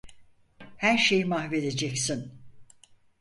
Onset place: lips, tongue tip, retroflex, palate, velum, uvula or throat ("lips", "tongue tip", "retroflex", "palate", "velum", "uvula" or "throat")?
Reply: throat